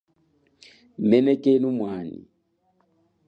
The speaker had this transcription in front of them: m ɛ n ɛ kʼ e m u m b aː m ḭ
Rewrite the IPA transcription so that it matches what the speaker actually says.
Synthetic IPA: m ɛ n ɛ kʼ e n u m w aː n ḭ